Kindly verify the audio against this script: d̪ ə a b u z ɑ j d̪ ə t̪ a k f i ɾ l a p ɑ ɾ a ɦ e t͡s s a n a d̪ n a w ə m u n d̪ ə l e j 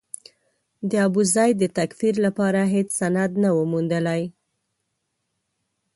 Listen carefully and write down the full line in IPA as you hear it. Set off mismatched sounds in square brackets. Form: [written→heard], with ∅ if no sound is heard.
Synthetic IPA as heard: d̪ ə a b u z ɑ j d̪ ə t̪ a k f i ɾ l a p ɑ ɾ a ɦ e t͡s s a n a d̪ n a w ə m u n d̪ ə l [e→a] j